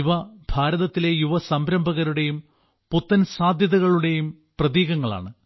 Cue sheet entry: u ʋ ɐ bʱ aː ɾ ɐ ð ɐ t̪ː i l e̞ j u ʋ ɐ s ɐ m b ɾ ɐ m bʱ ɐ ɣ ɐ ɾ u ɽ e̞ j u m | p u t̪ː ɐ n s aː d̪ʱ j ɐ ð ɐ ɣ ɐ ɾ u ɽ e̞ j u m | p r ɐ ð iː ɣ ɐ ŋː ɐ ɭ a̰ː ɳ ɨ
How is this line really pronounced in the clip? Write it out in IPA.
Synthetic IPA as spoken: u ʋ ɐ bʱ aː ɾ ɐ ð ɐ t̪ː i l e̞ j u ʋ ɐ s ɐ m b ɾ ɐ m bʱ ɐ ɣ ɐ ɾ u ɽ e̞ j u m | p u t̪ː ɐ n s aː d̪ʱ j ɐ ð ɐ ɣ ɐ ɭ u ɽ e̞ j u m | p r ɐ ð iː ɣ ɐ ŋː ɐ ɭ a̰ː ɳ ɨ